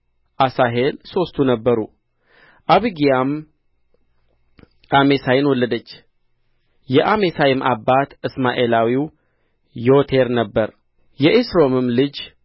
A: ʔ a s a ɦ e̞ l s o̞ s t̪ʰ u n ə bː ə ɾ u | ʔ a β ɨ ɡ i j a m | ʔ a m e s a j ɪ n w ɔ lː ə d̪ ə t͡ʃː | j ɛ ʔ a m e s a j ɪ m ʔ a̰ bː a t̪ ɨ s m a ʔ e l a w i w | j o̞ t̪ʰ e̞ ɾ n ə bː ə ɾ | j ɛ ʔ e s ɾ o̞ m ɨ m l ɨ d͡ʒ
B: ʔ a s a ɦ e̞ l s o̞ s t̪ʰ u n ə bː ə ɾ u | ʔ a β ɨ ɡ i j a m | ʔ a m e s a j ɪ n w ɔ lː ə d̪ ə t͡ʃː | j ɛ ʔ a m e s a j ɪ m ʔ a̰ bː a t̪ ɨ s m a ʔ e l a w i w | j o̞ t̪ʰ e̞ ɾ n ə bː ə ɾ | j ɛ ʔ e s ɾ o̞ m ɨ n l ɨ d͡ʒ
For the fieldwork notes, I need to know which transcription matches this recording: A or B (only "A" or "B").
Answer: A